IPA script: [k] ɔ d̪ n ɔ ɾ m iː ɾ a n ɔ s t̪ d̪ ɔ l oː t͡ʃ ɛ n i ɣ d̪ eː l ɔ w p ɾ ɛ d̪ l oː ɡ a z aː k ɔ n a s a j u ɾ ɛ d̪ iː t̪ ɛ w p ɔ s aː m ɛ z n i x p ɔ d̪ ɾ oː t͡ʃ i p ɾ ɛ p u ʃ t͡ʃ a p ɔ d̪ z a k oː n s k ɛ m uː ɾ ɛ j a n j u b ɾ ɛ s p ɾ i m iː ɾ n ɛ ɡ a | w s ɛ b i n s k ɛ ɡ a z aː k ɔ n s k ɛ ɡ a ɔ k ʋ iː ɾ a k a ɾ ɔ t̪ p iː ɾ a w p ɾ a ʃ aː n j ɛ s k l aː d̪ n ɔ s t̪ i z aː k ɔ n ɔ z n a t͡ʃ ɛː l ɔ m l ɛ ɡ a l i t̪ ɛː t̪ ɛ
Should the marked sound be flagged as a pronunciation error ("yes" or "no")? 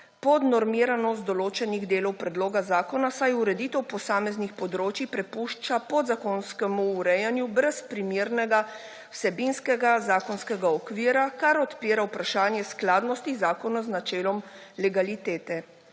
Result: yes